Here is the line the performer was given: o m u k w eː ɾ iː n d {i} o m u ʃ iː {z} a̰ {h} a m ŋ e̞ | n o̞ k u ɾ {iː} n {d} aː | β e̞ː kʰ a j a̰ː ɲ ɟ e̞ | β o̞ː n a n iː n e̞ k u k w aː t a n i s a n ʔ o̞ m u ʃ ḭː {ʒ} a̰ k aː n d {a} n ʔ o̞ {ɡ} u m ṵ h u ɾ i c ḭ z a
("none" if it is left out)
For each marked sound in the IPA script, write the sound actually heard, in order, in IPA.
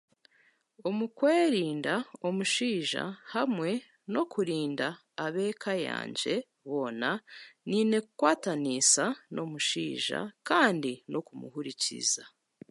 a, ʒ, h, iː, d, ʒ, i, k

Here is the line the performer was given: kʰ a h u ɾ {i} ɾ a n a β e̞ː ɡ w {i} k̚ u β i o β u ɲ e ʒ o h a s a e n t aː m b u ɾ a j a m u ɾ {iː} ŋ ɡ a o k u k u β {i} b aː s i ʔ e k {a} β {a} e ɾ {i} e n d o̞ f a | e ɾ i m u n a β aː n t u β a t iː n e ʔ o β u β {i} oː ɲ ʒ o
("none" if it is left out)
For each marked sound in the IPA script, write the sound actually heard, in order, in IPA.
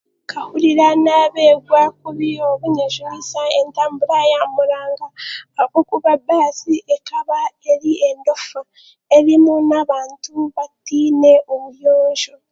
i, a, aː, a, a, a, i, j

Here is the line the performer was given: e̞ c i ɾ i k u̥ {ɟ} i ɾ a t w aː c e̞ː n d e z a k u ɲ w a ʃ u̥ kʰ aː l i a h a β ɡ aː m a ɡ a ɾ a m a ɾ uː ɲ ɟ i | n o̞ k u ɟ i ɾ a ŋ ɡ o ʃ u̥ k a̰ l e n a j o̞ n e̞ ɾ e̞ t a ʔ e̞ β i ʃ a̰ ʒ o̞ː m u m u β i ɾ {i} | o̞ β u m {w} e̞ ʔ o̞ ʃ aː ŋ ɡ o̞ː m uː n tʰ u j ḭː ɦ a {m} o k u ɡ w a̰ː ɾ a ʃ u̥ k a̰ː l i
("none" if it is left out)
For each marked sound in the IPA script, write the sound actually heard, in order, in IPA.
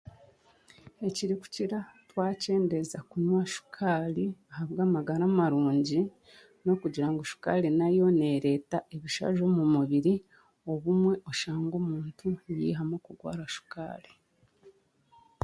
c, i, w, m

